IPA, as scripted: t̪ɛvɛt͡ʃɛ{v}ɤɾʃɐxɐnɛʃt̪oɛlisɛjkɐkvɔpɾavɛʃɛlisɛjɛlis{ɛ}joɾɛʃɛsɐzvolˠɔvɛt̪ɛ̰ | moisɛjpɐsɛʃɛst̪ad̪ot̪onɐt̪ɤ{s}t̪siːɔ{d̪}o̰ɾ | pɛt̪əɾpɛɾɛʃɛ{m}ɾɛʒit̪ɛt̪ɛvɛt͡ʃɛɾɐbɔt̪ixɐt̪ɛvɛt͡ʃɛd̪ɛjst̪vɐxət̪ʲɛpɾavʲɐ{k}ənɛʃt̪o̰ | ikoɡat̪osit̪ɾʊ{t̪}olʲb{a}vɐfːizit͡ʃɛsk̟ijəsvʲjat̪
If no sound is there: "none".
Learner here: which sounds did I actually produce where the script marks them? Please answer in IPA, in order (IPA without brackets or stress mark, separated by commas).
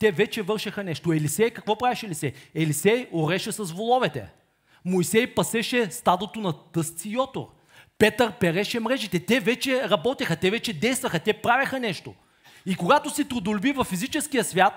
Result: v, ɛ, s, t̪, m, x, d̪, i